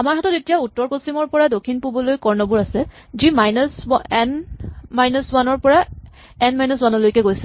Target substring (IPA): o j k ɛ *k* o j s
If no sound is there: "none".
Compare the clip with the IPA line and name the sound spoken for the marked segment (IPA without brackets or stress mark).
ɡ